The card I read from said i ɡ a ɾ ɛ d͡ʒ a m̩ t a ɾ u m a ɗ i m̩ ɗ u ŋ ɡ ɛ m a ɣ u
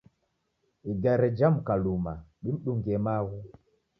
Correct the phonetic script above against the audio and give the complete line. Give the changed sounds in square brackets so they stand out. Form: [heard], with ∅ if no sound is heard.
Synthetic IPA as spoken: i ɡ a ɾ ɛ d͡ʒ a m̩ [k] a [l] u m a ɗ i m̩ ɗ u ŋ ɡ ɛ m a ɣ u